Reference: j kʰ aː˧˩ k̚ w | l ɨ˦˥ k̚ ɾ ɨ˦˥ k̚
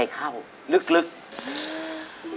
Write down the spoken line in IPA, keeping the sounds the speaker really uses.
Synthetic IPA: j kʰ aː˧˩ w | l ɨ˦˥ k̚ l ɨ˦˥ k̚